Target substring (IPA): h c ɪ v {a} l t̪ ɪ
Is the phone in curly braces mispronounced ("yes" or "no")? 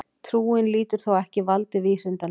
no